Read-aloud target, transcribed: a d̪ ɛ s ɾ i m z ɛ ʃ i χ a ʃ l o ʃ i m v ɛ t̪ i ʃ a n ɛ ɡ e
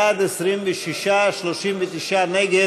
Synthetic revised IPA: a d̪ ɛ s ɾ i m v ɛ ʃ i ʃ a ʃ l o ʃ i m v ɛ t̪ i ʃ a n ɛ ɡ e